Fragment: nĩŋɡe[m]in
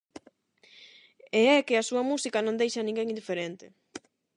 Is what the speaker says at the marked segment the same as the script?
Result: no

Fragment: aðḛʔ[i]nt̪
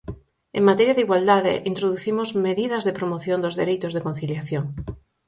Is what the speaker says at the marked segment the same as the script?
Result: yes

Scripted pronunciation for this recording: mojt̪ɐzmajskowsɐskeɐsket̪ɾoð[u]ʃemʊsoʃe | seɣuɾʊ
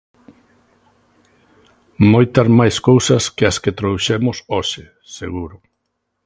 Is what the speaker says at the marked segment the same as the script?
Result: yes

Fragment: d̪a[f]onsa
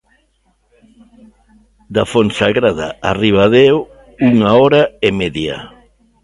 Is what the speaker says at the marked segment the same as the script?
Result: yes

